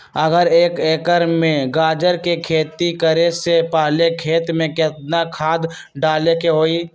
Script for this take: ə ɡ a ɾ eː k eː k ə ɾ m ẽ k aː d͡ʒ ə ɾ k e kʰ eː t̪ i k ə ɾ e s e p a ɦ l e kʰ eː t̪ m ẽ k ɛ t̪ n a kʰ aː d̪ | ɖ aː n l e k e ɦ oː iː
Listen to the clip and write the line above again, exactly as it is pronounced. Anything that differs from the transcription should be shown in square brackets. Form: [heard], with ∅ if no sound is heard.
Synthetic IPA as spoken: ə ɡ [ə] ɾ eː k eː k ə ɾ m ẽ [ɡ] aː d͡ʒ ə ɾ k e kʰ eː t̪ i k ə ɾ e s e p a ɦ l e kʰ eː t̪ m ẽ k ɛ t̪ n a kʰ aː d̪ | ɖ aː [∅] l e k e ɦ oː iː